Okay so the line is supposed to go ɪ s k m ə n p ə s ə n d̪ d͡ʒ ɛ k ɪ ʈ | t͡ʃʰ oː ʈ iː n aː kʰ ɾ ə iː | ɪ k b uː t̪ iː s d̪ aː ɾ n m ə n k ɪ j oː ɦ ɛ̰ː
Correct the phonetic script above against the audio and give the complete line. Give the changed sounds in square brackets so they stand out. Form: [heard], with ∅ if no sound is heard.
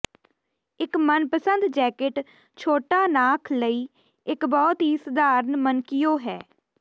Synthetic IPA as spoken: ɪ [∅] k m ə n p ə s ə n d̪ d͡ʒ [ɛː] k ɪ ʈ | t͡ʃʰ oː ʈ [aː] n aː kʰ [l] ə iː | ɪ k b [ɔː] t̪ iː s d̪ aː ɾ n m ə n k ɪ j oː ɦ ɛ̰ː